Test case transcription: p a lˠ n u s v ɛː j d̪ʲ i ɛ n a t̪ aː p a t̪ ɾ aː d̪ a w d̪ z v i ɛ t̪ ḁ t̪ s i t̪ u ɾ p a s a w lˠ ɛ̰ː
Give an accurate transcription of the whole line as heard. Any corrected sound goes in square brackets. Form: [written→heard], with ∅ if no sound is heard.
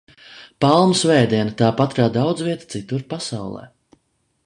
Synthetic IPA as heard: p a lˠ [n→m] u s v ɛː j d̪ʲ i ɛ n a t̪ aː p a t̪ ɾ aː d̪ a w d̪ z v i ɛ t̪ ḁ t̪ s i t̪ u ɾ p a s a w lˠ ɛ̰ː